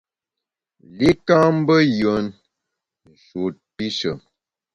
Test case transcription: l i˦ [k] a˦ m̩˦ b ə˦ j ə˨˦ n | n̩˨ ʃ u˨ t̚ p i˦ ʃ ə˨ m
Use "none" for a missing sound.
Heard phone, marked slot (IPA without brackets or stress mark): k